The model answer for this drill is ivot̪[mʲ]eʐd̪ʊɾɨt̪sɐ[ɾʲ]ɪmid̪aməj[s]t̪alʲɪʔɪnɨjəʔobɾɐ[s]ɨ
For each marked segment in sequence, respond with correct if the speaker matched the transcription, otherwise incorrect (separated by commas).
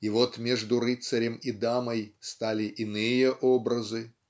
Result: correct, correct, correct, incorrect